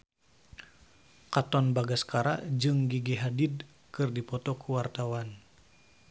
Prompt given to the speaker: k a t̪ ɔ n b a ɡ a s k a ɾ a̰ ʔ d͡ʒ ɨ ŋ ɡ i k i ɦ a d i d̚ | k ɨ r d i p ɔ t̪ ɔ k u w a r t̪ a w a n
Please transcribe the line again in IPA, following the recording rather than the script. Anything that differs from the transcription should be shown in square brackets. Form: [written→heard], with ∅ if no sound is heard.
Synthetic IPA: k a t̪ ɔ n b a ɡ a s k a ɾ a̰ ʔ d͡ʒ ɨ ŋ ɡ i [k→ɡ] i ɦ a d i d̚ | k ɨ r d i p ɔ t̪ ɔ k u w a r t̪ a w a n

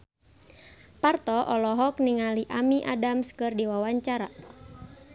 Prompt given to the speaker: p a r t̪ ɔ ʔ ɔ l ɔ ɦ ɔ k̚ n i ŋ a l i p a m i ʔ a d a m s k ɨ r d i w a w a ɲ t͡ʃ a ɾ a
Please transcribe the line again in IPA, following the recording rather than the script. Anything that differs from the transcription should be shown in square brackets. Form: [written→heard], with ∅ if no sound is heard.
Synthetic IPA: p a r t̪ ɔ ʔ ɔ l ɔ ɦ ɔ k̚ n i ŋ a l i [p→ʔ] a m i ʔ a d a m s k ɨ r d i w a w a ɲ t͡ʃ a ɾ a

